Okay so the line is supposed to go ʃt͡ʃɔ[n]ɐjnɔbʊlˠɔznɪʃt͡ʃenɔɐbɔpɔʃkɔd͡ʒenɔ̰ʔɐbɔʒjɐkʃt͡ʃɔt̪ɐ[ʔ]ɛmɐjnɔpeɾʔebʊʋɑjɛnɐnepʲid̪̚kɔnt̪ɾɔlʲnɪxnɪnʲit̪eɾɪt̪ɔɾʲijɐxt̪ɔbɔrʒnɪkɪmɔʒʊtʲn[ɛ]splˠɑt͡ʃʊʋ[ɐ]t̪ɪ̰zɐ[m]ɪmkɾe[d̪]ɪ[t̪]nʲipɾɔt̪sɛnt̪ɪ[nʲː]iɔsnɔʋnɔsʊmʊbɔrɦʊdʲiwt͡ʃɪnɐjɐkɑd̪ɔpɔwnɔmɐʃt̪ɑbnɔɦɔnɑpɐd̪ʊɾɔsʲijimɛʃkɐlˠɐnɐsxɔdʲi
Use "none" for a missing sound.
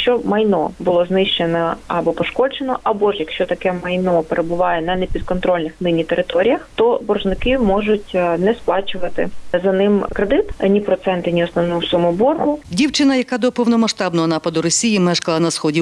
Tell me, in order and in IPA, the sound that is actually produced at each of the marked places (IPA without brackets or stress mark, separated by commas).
m, k, ɛ, ɐ, n, d̪, t̪, nʲ